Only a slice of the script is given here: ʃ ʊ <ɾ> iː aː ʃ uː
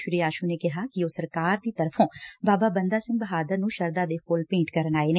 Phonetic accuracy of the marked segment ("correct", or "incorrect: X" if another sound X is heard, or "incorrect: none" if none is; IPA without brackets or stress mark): correct